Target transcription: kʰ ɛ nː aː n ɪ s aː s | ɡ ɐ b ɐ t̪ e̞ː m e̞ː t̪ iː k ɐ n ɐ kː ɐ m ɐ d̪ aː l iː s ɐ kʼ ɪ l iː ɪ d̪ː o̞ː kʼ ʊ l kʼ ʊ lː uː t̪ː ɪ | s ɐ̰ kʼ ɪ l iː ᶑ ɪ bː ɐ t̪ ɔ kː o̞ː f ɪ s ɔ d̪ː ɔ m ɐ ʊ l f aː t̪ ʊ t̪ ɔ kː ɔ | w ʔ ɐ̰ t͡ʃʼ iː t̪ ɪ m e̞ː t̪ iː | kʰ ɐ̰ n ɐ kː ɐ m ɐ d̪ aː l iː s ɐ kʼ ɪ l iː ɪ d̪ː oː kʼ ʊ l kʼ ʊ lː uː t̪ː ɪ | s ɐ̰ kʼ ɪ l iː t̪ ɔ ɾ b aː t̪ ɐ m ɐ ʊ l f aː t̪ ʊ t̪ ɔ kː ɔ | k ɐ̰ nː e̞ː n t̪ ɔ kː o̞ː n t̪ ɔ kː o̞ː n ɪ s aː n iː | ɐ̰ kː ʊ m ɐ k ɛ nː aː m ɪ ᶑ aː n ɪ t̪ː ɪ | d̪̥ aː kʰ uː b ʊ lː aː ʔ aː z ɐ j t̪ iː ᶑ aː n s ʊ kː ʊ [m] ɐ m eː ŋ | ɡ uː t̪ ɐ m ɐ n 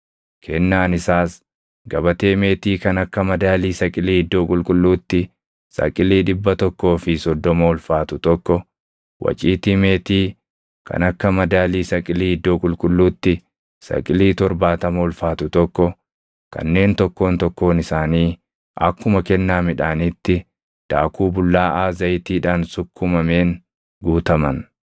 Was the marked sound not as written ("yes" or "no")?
no